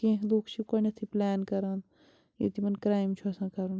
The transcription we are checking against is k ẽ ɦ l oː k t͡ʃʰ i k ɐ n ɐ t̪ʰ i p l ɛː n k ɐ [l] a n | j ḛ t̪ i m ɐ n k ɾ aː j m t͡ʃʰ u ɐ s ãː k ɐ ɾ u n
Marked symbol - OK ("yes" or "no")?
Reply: no